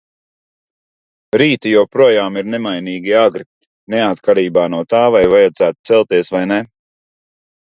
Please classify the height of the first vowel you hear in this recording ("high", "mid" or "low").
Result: high